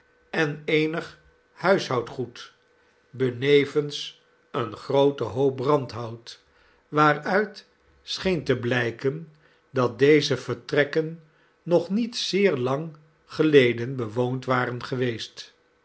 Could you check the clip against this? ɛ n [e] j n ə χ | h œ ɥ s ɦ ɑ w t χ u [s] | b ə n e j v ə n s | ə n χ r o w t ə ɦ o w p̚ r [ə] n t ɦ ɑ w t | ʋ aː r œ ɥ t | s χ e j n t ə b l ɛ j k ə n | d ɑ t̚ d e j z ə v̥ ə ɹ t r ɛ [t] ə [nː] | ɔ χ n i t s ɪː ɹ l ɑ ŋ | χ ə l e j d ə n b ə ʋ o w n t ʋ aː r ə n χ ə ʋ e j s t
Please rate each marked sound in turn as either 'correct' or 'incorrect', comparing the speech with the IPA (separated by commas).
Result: correct, incorrect, incorrect, incorrect, correct